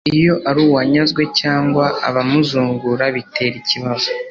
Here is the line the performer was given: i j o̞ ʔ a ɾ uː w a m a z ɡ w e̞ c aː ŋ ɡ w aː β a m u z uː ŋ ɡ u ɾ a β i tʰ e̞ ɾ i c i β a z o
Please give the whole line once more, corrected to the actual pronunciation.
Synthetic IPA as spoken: i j o̞ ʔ a ɾ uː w a ɲ a z ɡ w e̞ c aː ŋ ɡ w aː β a m u z uː ŋ ɡ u ɾ a β i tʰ e̞ ɾ i c i β a z o